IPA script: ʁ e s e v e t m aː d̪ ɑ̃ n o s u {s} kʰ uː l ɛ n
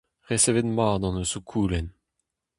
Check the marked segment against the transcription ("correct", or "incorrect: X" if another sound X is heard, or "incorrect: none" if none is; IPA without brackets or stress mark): incorrect: none